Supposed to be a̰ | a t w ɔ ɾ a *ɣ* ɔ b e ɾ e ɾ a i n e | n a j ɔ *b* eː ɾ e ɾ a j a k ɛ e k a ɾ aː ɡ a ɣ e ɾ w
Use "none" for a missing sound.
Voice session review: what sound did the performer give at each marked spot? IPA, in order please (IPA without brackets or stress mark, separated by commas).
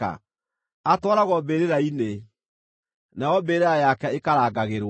ɣ, b